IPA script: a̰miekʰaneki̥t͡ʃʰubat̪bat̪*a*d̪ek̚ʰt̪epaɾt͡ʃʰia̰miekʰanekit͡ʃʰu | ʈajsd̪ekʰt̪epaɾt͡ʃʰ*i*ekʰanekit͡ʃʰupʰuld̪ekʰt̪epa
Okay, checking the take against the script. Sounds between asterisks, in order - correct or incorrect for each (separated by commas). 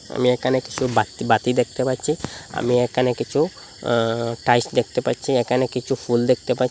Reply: incorrect, correct